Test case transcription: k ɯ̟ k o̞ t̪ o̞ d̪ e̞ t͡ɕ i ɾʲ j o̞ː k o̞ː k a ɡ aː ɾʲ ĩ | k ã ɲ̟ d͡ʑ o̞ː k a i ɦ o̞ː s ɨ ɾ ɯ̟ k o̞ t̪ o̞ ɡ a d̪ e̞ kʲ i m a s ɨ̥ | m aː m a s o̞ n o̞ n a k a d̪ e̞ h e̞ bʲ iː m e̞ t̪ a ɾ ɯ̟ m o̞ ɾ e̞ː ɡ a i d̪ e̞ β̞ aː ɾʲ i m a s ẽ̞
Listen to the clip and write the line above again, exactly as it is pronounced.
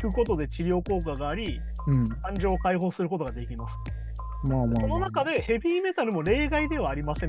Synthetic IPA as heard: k ɯ̟ k o̞ t̪ o̞ d̪ e̞ t͡ɕ i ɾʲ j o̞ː k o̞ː k a ɡ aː ɾʲ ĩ | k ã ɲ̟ d͡ʑ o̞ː k a i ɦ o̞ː s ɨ ɾ ɯ̟ k o̞ t̪ o̞ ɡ a d̪ e̞ kʲ i m a s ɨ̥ | m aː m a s o̞ n o̞ n a k a d̪ e̞ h e̞ bʲ iː m e̞ t̪ a ɾ ɯ̟ m o̞ ɾ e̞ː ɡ a i d̪ e̞ β̞ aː ɾʲ i m a s ẽ̞